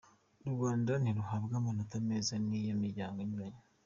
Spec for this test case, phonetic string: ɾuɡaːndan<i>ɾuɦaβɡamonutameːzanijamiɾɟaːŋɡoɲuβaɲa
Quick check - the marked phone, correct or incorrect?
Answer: correct